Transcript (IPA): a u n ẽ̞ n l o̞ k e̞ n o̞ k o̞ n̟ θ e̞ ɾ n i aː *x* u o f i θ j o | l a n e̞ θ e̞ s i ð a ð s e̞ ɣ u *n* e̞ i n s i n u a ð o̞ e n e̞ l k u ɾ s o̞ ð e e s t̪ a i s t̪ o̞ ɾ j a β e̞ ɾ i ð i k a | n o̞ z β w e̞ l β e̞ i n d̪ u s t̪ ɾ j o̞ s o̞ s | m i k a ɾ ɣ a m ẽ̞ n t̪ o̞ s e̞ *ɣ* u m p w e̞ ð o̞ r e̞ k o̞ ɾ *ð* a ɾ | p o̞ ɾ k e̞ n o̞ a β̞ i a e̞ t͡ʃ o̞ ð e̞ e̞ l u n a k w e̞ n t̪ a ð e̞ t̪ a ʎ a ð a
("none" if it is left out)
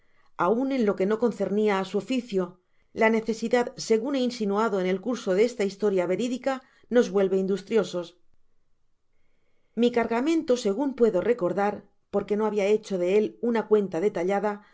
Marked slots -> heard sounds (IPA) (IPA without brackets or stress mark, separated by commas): s, n, ɣ, ð